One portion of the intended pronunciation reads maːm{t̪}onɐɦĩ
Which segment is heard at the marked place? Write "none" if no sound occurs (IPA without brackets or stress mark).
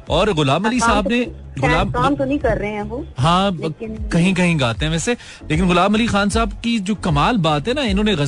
t̪